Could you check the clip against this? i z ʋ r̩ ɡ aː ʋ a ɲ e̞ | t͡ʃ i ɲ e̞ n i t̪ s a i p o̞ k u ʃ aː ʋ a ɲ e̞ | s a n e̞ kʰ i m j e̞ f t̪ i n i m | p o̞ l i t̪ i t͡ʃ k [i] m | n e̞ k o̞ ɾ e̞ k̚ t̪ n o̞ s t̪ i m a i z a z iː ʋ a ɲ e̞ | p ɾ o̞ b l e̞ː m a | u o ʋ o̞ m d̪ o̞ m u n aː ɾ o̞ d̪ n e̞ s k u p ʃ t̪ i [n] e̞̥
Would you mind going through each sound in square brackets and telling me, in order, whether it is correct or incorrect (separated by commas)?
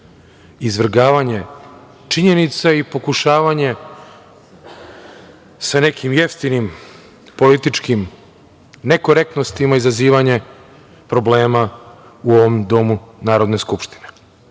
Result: correct, correct